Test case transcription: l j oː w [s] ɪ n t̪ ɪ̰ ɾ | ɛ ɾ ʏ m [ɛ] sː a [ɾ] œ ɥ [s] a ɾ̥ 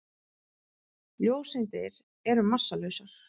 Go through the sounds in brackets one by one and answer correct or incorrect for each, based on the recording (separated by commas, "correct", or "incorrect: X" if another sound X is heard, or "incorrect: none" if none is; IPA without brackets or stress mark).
correct, incorrect: a, incorrect: l, correct